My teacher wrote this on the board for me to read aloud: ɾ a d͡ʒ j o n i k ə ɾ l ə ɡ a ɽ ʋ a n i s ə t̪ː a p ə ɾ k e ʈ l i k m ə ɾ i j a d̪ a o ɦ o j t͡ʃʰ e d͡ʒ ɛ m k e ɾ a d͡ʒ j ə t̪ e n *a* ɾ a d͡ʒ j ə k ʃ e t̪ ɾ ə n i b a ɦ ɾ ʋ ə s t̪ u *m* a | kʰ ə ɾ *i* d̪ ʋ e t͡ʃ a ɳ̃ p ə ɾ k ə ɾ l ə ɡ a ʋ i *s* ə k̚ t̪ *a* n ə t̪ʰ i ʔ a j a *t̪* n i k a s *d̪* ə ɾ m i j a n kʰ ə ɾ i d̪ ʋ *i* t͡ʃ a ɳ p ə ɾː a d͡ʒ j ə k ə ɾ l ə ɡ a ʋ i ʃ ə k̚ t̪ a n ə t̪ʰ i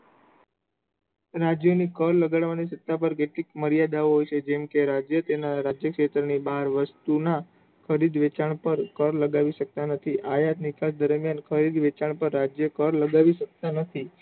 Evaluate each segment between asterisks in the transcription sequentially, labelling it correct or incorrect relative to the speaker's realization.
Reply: correct, incorrect, correct, incorrect, correct, correct, correct, incorrect

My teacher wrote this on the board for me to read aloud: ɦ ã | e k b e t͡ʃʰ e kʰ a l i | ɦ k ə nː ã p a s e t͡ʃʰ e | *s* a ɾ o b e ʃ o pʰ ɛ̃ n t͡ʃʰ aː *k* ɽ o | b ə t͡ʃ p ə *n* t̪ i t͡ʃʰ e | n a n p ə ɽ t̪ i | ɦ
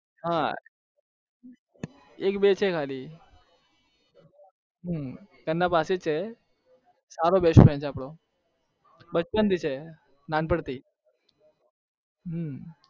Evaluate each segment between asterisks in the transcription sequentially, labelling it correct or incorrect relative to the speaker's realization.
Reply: correct, incorrect, correct

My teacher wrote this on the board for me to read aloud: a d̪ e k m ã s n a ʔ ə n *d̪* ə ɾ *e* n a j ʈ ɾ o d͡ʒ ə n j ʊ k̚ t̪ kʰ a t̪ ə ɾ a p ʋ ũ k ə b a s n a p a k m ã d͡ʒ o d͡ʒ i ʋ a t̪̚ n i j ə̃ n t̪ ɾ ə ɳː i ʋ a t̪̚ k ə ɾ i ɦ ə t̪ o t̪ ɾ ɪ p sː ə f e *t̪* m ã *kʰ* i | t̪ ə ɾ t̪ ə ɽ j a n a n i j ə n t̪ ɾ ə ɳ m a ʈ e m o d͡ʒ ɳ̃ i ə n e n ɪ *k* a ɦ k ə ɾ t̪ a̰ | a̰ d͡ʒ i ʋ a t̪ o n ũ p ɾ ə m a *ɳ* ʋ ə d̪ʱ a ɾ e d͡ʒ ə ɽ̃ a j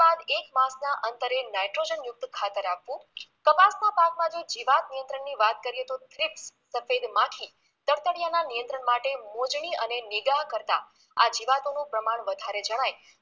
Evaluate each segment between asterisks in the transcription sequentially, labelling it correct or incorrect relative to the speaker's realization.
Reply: incorrect, correct, incorrect, correct, incorrect, correct

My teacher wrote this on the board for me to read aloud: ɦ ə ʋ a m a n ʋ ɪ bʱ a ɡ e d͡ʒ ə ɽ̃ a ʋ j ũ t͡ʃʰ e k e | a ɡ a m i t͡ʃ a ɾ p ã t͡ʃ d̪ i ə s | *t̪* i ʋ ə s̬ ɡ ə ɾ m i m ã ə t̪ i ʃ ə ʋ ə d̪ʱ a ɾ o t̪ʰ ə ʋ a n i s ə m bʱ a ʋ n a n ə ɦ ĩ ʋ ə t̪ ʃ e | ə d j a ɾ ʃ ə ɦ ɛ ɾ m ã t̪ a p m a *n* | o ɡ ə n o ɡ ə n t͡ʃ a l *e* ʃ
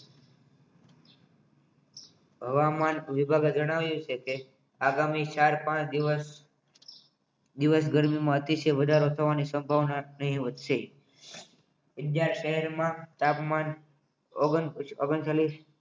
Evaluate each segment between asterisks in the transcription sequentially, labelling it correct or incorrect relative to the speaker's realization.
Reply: incorrect, correct, incorrect

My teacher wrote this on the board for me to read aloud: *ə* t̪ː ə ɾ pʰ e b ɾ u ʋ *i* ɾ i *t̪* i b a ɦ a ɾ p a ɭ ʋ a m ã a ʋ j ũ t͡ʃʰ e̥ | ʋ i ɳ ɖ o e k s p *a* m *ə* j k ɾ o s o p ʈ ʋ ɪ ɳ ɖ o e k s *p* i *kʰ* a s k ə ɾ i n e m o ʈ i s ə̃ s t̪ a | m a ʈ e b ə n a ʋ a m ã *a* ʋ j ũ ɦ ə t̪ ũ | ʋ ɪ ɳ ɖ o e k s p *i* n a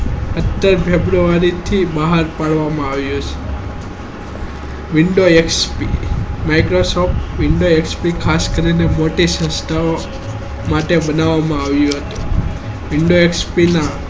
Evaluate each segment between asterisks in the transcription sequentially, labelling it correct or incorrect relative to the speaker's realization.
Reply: correct, incorrect, incorrect, incorrect, incorrect, correct, correct, correct, correct

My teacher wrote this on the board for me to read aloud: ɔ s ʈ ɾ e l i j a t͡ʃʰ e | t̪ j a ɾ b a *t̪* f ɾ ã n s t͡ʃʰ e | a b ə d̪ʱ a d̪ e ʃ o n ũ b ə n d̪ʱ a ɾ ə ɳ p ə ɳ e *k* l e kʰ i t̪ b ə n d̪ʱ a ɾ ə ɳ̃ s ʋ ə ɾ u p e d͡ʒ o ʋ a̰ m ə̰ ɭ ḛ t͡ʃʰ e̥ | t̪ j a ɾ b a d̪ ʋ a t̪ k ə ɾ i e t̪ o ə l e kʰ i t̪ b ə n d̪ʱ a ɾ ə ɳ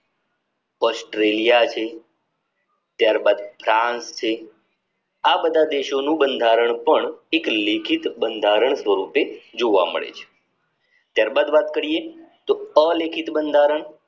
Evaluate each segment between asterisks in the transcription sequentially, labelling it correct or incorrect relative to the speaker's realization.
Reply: incorrect, correct

